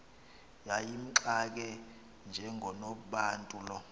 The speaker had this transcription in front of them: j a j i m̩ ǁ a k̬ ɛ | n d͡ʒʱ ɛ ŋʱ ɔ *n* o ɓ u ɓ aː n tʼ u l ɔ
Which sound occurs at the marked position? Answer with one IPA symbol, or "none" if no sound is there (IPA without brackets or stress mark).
n